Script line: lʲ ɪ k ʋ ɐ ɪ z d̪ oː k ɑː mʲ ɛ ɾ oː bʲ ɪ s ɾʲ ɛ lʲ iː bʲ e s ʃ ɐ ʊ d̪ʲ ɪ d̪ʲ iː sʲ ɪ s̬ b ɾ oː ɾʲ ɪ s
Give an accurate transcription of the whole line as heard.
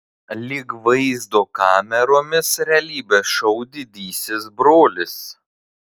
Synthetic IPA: lʲ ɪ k ʋ ɐ ɪ z d̪ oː k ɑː mʲ ɛ ɾ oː mʲ ɪ s ɾʲ ɛ lʲ iː bʲ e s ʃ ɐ ʊ d̪ʲ ɪ d̪ʲ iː sʲ ɪ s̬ b ɾ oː lʲ ɪ s

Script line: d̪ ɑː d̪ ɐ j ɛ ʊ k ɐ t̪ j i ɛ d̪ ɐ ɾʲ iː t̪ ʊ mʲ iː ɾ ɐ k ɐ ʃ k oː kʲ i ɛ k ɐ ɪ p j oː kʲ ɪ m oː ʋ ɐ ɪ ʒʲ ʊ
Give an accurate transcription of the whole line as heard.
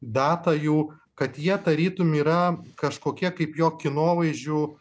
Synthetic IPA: d̪ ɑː t̪ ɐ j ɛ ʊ k ɐ t̪ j i ɛ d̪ ɐ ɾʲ iː t̪ ʊ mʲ iː ɾ ɐ k ɐ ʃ k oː kʲ i ɛ k ɐ ɪ p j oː kʲ ɪ n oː ʋ ɐ ɪ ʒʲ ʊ

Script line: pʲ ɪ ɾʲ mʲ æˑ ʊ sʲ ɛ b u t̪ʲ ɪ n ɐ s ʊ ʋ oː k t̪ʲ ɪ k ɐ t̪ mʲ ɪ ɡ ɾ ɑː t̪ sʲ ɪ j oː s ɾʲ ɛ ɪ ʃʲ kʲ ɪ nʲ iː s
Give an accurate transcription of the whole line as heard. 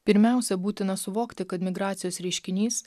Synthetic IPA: pʲ ɪ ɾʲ mʲ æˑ ʊ sʲ ɛ b uː t̪ʲ ɪ n ɐ s ʊ ʋ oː k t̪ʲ ɪ k ɐ t̪ mʲ ɪ ɡ ɾ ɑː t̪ sʲ ɪ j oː s ɾʲ ɛ ɪ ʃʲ kʲ ɪ nʲ iː s

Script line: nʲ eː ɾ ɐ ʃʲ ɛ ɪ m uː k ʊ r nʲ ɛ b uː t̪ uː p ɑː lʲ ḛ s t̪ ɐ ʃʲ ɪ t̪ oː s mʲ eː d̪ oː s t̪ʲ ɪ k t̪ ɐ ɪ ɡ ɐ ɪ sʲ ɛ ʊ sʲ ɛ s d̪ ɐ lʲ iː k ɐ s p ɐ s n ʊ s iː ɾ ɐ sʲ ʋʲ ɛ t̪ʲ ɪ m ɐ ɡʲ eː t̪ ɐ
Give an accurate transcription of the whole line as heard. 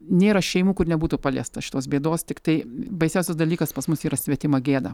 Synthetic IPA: nʲ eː ɾ ɐ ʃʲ ɛ ɪ m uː k ʊ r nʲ ɛ b uː t̪ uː p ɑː lʲ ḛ s t̪ ɐ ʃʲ ɪ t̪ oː s bʲ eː d̪ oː s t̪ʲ ɪ k t̪ ɐ ɪ b ɐ ɪ sʲ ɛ ʊ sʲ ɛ s d̪ ɐ lʲ iː k ɐ s p ɐ s m ʊ s iː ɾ ɐ sʲ ʋʲ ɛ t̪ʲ ɪ m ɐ ɡʲ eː d̪ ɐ

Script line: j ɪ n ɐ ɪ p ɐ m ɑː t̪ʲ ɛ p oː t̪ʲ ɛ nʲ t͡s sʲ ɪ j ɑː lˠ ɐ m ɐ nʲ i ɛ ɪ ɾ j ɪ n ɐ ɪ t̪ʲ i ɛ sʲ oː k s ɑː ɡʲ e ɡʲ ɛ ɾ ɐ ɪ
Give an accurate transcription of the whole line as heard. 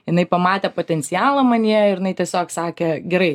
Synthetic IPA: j ɪ n ɐ ɪ p ɐ m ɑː t̪ʲ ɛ p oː t̪ʲ ɛ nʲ t͡s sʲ ɪ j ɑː lˠ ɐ m ɐ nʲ i ɛ ɪ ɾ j ɪ n ɐ ɪ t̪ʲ i ɛ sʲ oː k s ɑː kʲ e ɡʲ ɛ ɾ ɐ ɪ

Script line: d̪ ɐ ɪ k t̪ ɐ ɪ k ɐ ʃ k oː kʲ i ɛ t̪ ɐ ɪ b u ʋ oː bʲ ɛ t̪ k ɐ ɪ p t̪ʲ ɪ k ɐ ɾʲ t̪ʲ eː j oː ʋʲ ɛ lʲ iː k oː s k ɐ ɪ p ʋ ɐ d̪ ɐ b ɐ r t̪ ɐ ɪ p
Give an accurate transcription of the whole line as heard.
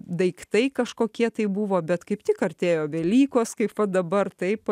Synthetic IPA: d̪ ɐ ɪ k t̪ ɐ ɪ k ɐ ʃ k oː kʲ i ɛ t̪ ɐ ɪ b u ʋ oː bʲ ɛ t̪ k ɐ ɪ p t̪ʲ ɪ k ɐ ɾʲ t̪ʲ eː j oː ʋʲ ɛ lʲ iː k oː s k ɐ ɪ p ʋ ɐ d̪ ɐ b ɐ r t̪ ɐ ɪ p

